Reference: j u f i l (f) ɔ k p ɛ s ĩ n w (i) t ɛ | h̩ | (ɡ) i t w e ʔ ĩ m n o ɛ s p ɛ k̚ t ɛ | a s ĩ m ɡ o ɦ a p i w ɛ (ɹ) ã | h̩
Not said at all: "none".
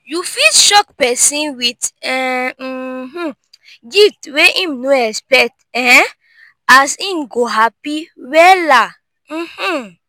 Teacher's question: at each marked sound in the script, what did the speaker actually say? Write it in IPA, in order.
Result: ʃ, i, ɡ, l

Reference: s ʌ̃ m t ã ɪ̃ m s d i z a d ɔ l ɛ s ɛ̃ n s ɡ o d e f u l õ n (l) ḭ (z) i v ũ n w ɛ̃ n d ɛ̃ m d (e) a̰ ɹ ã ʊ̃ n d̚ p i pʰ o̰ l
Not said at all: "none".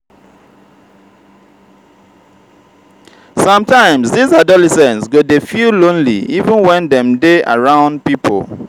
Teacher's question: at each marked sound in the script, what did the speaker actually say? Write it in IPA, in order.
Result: l, none, e

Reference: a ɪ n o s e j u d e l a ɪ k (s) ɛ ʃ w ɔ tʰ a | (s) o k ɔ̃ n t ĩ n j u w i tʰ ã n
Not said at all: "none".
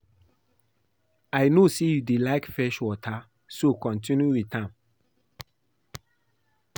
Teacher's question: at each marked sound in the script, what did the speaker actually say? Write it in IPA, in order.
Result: f, s

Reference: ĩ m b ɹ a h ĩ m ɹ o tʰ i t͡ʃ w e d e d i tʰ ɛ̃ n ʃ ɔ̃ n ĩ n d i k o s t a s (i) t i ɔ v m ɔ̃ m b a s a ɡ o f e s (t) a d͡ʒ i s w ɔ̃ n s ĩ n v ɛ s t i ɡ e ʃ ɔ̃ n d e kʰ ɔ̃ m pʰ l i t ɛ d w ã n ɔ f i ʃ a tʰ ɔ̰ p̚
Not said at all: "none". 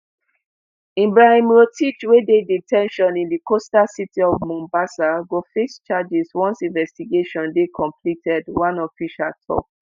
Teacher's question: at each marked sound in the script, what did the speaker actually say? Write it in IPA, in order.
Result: i, t͡ʃ

